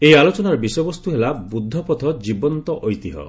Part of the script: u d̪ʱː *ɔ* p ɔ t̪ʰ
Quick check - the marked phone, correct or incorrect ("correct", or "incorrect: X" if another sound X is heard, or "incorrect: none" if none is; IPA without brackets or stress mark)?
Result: correct